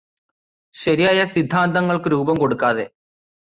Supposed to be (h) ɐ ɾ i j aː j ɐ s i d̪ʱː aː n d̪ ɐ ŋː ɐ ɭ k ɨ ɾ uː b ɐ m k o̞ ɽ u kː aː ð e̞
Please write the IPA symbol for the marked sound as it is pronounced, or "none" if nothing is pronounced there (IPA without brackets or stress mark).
ɕ